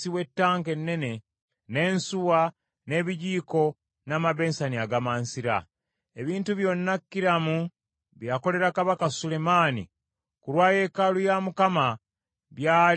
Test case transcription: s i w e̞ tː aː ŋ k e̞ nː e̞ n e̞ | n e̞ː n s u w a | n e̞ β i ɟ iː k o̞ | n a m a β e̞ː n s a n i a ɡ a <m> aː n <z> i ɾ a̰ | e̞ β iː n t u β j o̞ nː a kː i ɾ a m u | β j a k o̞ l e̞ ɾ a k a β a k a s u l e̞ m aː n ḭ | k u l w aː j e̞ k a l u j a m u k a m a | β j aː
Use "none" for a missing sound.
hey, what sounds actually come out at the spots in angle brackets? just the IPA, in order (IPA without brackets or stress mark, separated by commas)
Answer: m, s